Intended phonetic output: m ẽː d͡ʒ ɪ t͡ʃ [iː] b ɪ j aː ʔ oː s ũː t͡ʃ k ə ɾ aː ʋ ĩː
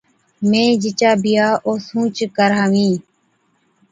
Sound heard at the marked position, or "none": aː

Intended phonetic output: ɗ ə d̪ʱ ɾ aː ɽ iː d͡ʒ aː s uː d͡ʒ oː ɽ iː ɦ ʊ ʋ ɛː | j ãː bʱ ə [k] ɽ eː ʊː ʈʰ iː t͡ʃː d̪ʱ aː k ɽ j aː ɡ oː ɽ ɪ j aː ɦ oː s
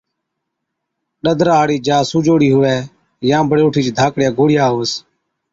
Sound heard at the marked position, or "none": none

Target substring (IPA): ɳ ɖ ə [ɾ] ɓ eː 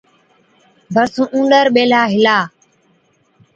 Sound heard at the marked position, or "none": ɾ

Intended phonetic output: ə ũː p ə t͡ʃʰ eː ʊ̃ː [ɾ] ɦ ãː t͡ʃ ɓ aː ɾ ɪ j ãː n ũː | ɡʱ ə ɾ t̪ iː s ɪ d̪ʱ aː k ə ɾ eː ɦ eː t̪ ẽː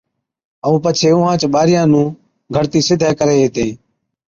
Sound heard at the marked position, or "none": none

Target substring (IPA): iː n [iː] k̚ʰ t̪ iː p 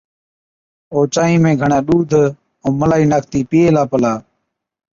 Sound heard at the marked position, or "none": aː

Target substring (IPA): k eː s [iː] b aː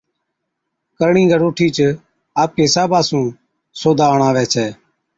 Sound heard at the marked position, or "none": aː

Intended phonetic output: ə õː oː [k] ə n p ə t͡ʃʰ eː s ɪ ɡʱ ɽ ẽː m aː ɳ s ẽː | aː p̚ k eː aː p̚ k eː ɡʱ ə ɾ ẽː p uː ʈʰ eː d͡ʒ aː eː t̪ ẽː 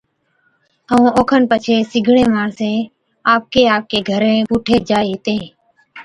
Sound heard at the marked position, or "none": kʰ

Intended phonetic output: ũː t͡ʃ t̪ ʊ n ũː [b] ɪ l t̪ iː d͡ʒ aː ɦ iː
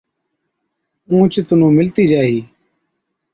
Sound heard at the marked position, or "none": m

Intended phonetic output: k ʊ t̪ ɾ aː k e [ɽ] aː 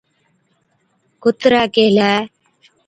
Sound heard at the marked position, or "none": l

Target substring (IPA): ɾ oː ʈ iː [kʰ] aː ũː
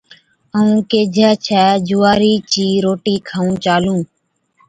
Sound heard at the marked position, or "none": kʰ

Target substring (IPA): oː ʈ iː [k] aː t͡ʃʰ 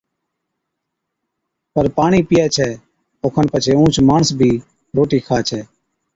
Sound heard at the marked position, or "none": kʰ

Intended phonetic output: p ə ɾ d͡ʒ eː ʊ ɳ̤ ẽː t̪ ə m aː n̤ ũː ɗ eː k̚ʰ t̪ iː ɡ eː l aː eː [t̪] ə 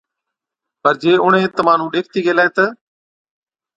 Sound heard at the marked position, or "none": t̪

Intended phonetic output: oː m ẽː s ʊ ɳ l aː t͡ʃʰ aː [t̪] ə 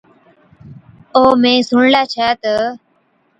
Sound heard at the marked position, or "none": t̪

